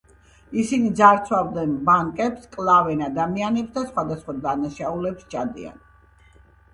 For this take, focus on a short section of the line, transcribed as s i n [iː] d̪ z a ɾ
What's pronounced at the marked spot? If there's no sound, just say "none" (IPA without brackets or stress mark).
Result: i